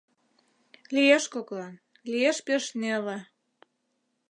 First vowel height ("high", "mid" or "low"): high